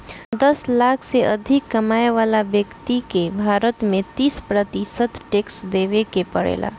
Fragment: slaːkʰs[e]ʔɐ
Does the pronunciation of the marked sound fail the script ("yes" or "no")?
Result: no